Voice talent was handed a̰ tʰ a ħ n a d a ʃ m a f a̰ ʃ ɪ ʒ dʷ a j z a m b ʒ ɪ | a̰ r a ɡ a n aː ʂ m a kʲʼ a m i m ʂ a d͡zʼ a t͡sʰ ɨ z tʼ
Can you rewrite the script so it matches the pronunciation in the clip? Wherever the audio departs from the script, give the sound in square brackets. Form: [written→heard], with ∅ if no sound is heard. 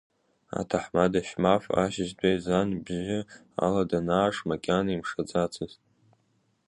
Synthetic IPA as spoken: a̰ tʰ a ħ [n→m] a d a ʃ m a f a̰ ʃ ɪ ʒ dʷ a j z a [m→n] b ʒ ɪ | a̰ [r→l] a [ɡ→d] a n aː ʂ m a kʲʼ a [m→n] i m ʂ a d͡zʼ a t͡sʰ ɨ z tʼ

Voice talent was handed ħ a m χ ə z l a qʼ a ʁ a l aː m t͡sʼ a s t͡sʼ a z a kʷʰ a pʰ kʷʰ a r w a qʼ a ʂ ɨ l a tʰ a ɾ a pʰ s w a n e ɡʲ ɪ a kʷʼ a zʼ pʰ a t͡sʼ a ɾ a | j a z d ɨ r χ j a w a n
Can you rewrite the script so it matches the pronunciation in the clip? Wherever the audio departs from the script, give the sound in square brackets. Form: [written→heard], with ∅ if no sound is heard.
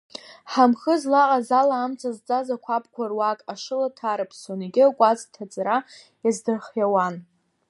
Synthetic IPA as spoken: ħ a m χ ə z l a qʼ a [ʁ→z] a l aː m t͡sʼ a [s→z] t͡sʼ a z a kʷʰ a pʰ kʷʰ a r w a [qʼ→kʼ] a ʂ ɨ l a tʰ a ɾ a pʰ s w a n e ɡʲ ɪ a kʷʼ a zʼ [pʰ→tʰ] a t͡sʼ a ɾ a | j a z d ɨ r χ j a w a n

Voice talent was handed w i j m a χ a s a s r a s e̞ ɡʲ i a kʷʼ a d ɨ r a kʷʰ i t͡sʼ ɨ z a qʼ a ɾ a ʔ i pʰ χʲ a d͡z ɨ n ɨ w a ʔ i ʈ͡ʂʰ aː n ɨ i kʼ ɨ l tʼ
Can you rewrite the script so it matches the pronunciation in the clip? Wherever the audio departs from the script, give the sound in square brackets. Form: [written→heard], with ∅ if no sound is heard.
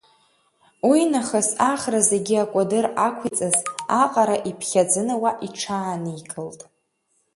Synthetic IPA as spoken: w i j [m→n] a χ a s a [s→χ] r a [s→z] e̞ ɡʲ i a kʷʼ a d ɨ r a kʷʰ i t͡sʼ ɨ z a qʼ a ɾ a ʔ i pʰ χʲ a d͡z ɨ n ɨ w a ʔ i ʈ͡ʂʰ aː n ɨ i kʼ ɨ l tʼ

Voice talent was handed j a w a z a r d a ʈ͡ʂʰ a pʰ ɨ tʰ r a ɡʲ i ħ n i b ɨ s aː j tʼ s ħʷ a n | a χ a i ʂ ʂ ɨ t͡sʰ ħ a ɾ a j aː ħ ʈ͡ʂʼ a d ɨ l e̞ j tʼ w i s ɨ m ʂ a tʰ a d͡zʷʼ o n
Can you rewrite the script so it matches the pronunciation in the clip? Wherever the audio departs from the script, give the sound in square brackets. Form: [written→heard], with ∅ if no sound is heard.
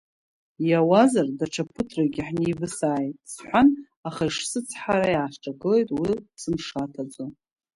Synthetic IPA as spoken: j a w a z a r d a ʈ͡ʂʰ a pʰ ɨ tʰ r a ɡʲ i ħ n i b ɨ s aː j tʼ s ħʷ a n | a χ a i ʂ [ʂ→s] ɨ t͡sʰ ħ a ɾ a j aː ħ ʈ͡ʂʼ a [d→ɡ] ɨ l e̞ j tʼ w i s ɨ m ʂ a tʰ a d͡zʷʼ o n

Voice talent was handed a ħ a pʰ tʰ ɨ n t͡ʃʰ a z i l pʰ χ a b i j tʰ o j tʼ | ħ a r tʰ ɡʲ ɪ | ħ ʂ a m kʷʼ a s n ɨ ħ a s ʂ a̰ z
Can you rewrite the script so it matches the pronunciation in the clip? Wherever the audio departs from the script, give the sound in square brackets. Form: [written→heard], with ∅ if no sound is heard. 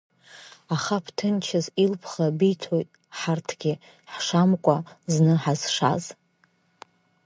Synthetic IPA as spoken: a [ħ→χ] a pʰ tʰ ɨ n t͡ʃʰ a z i l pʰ χ a b i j tʰ o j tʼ | ħ a r tʰ ɡʲ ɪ | ħ ʂ a m kʷʼ a [s→z] n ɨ ħ a [s→z] ʂ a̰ z

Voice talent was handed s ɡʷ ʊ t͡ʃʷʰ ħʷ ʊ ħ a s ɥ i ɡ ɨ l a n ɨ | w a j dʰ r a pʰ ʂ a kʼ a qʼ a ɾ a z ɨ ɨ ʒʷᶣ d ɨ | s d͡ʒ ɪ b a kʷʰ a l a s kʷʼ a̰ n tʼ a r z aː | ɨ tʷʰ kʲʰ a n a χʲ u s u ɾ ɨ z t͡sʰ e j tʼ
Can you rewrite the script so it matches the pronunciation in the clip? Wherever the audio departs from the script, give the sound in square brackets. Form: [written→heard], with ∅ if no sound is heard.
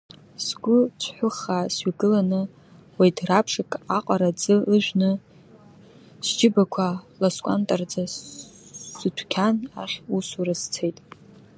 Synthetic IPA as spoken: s ɡʷ ʊ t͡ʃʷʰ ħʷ ʊ [ħ→χ] a s ɥ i ɡ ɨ l a n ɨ | w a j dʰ r a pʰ ʂ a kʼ a qʼ a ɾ a [z→d͡z] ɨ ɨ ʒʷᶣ [d→n] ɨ | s d͡ʒ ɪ b a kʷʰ a l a s kʷʼ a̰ n tʼ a r [z→d͡z] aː | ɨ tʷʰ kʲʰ a n a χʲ u s u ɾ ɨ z t͡sʰ e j tʼ

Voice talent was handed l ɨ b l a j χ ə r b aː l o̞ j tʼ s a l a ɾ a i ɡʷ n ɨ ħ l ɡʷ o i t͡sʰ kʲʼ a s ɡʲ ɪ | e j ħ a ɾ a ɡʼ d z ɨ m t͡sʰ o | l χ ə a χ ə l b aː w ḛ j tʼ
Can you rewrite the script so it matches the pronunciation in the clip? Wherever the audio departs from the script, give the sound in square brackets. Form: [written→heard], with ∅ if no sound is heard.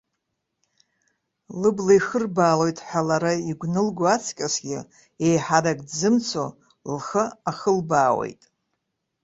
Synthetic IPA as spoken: l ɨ b l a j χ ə r b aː l o̞ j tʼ [s→ħ] a l a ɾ a i ɡʷ n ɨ [ħ→∅] l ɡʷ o [i→a] t͡sʰ kʲʼ a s ɡʲ ɪ | e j ħ a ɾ a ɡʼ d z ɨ m t͡sʰ o | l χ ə a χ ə l b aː w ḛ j tʼ

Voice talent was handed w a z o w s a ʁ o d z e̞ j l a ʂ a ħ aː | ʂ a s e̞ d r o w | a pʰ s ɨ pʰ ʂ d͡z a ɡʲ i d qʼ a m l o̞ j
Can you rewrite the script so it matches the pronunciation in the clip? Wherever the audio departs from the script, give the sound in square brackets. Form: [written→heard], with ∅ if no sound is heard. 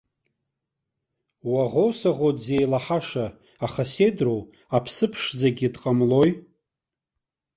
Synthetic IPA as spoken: w a [z→ʁ] o w s a ʁ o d z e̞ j l a [ʂ→ħ] a [ħ→ʂ] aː | [ʂ→χ] a s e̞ d r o w | a pʰ s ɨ pʰ ʂ d͡z a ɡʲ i d qʼ a m l o̞ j

